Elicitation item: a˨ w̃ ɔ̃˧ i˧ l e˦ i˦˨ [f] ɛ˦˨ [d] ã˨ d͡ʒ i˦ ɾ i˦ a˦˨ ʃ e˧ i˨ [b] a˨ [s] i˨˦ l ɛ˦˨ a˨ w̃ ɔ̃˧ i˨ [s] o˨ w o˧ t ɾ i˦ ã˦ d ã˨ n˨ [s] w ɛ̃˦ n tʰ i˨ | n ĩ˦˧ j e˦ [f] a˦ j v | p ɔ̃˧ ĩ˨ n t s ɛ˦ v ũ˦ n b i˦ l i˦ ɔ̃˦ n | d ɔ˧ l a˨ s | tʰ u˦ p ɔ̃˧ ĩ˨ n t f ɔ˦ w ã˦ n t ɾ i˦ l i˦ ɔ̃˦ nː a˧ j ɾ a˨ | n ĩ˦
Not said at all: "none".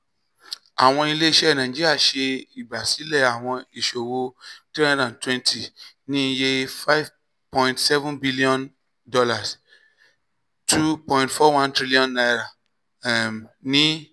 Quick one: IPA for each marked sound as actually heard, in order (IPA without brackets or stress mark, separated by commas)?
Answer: ʃ, n, b, s, ʃ, t, f